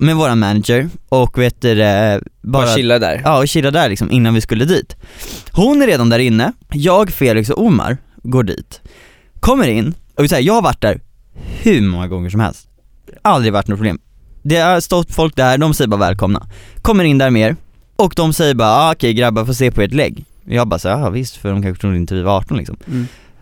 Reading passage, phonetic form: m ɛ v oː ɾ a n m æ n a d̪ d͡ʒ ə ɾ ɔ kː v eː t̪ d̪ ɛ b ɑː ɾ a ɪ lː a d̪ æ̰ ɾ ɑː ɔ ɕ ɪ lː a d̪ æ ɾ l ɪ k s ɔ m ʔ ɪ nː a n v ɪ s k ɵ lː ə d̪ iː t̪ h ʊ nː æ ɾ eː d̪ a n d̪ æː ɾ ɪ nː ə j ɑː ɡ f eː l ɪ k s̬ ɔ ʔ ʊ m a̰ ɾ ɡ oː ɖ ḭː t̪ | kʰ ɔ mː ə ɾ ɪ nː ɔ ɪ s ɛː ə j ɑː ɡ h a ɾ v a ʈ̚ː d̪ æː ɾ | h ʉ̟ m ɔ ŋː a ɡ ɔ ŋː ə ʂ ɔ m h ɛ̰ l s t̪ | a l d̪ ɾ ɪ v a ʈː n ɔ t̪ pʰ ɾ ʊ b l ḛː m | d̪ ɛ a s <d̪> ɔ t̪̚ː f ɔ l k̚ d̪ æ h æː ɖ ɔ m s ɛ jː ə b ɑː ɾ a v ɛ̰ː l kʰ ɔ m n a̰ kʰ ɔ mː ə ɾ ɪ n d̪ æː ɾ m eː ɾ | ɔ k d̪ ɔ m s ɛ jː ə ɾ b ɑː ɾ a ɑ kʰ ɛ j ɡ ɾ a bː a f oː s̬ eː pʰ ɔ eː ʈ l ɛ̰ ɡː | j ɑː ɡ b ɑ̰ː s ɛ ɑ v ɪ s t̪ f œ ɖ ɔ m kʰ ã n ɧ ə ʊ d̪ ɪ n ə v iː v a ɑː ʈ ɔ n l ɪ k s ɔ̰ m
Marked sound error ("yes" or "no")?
yes